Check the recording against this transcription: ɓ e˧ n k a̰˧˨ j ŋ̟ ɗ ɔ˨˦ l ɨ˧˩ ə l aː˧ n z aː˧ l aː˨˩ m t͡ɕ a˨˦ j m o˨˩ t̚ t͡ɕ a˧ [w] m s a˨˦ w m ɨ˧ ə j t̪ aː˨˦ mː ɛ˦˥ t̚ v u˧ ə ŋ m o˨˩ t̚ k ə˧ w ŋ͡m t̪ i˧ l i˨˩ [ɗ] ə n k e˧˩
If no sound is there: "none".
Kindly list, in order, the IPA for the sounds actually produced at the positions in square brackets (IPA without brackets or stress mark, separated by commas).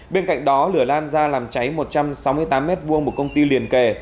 none, none